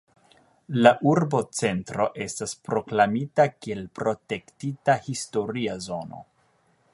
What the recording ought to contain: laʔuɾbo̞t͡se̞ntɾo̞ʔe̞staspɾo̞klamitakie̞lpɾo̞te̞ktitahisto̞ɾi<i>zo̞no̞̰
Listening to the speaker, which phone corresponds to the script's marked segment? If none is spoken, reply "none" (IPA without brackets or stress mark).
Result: a